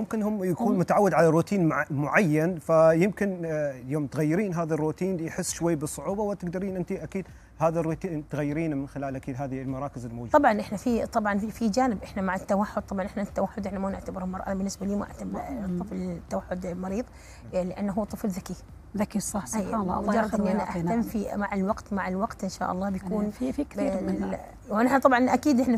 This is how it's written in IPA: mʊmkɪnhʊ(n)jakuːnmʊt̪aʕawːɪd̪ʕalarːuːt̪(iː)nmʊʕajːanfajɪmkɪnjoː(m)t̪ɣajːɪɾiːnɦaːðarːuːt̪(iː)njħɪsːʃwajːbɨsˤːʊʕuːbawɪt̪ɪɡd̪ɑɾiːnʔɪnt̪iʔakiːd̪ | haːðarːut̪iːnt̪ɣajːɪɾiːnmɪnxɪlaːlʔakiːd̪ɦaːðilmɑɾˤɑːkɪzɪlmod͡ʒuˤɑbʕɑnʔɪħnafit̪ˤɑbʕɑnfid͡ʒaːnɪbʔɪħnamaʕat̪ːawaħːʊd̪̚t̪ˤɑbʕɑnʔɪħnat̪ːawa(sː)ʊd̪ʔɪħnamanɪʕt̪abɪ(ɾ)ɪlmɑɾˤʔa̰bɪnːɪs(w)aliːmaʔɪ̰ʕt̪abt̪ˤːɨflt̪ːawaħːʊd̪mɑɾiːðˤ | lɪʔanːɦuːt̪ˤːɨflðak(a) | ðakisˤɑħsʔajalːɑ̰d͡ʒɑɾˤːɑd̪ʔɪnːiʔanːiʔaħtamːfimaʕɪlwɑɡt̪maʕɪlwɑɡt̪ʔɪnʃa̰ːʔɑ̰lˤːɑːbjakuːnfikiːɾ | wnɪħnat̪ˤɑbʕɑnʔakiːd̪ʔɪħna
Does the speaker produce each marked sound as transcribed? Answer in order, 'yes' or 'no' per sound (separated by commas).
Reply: no, yes, yes, yes, no, yes, no, no